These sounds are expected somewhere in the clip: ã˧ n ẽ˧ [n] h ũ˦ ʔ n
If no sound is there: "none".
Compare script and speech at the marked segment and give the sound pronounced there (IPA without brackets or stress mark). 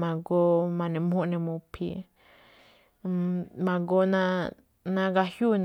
m